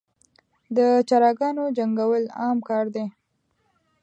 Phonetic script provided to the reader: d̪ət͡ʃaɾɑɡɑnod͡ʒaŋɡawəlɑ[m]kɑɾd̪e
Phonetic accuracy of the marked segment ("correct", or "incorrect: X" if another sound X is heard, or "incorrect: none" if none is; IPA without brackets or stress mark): correct